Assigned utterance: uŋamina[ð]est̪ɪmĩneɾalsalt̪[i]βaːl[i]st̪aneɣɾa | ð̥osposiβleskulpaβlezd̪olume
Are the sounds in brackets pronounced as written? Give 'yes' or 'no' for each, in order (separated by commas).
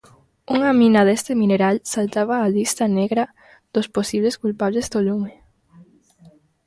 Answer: yes, no, yes